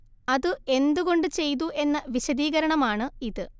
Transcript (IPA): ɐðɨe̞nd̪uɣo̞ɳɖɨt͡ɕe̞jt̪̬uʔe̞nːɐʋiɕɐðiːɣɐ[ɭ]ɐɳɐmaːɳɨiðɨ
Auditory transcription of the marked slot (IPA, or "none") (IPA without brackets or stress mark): ɾ